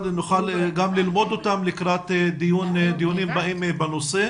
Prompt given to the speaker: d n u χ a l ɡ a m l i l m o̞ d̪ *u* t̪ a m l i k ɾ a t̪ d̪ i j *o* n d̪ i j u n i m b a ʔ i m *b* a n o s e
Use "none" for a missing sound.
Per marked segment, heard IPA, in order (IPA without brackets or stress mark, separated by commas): o, u, b